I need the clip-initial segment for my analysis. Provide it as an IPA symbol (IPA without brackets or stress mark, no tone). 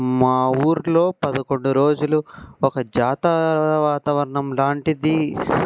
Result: m